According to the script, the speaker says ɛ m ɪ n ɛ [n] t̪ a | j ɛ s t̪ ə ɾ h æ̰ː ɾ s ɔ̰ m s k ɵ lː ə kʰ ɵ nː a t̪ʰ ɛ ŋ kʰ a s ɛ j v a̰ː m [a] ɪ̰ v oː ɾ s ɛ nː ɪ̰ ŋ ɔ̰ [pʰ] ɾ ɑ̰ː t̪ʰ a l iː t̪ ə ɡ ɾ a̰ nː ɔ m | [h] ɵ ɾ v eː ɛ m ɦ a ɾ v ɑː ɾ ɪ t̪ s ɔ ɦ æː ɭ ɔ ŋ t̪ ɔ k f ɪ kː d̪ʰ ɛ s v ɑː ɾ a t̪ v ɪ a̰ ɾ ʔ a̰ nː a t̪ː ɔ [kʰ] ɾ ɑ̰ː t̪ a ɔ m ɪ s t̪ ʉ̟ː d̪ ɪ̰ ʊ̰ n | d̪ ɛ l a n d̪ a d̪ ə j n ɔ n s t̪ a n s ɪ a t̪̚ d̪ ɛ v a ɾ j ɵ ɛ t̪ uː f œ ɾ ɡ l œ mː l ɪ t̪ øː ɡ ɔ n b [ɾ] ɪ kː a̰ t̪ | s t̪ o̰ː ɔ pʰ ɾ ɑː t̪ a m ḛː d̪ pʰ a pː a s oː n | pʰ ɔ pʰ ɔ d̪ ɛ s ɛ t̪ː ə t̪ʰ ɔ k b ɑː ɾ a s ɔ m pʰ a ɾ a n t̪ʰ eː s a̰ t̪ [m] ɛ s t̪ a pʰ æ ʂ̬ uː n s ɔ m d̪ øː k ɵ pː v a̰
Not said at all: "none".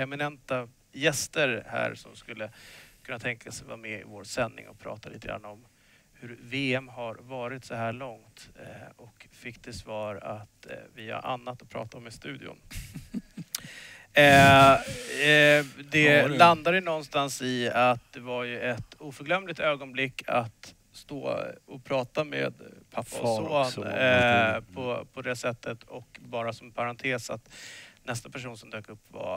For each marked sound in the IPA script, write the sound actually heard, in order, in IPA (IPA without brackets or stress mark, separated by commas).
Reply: n, ɛ, pʰ, h, pʰ, l, n